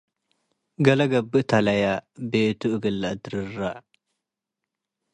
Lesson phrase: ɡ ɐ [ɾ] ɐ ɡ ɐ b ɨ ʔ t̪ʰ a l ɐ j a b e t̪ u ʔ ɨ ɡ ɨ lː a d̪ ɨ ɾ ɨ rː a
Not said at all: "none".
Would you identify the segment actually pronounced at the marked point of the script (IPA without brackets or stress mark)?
l